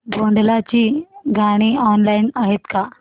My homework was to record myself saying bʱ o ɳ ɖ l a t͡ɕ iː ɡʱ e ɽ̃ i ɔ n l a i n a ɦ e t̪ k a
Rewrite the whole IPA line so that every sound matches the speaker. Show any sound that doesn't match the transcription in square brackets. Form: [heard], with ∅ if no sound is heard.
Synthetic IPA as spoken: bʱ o ɳ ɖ l a t͡ɕ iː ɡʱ [a] ɽ̃ i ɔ n l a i n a ɦ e t̪ k a